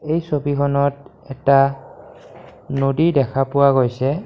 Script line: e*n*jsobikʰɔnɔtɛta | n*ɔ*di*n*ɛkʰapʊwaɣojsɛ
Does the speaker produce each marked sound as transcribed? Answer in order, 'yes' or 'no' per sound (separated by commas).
no, no, no